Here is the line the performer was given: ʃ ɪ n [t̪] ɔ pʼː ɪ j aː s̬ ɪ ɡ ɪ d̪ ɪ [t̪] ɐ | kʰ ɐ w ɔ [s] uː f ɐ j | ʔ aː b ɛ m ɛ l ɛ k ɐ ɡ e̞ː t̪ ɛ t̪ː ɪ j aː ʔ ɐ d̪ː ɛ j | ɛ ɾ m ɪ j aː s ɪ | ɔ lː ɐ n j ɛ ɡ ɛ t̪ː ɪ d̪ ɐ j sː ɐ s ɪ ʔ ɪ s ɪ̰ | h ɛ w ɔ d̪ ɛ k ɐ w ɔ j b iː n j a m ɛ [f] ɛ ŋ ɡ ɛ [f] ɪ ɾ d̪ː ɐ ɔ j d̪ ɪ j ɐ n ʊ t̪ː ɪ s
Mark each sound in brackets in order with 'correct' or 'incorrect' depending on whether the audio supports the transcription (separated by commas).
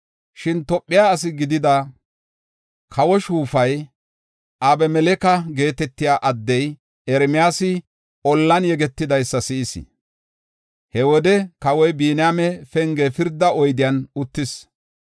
correct, incorrect, incorrect, correct, correct